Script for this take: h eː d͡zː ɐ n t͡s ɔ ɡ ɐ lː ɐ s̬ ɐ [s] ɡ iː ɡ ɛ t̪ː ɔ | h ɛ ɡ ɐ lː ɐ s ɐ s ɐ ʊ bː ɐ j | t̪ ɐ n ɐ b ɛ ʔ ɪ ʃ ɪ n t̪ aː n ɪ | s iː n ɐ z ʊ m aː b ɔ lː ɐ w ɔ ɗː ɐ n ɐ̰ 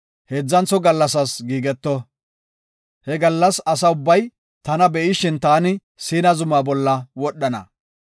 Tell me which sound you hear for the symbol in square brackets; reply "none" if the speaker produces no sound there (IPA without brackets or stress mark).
s